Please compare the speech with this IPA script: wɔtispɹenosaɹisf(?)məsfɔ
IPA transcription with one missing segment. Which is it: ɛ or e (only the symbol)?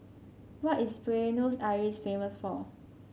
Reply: e